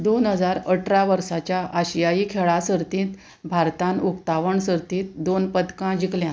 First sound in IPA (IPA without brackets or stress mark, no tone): d̪